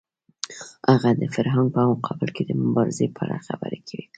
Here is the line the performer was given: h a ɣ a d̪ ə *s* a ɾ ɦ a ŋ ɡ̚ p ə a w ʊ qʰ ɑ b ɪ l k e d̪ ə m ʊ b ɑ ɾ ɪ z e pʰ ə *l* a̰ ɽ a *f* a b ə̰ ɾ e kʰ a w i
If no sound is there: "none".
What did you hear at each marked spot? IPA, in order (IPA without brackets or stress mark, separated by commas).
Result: f, none, x